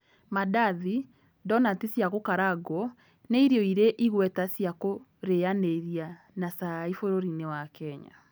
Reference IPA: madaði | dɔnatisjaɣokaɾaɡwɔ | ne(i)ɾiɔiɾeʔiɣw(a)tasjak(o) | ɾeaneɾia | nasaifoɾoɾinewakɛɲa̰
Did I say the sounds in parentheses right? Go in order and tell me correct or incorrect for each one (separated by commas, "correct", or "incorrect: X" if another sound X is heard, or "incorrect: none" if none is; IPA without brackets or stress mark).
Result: correct, incorrect: ɛ, correct